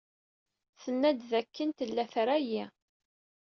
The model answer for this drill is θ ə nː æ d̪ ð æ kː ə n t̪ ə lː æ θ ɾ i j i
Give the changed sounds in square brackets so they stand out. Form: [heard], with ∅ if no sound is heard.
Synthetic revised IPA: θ ə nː æ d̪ ð æ kː ə n t̪ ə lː æ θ ɾ [æ] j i